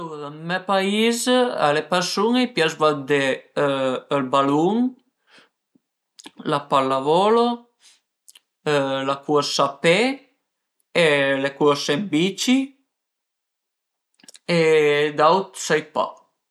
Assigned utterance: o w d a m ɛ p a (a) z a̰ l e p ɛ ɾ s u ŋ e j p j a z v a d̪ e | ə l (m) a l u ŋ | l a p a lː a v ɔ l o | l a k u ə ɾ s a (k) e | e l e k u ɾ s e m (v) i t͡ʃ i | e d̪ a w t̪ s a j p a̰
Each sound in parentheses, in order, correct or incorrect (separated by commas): incorrect, incorrect, incorrect, incorrect